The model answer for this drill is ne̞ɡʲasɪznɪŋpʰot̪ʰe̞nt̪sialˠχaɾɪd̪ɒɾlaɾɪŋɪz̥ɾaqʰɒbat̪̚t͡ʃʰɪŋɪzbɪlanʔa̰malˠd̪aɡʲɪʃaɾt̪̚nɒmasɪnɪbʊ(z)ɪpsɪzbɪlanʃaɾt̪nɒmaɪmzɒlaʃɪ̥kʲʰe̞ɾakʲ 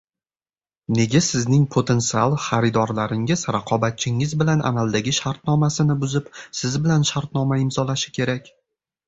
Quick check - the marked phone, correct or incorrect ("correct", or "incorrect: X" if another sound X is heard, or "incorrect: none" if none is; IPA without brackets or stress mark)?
correct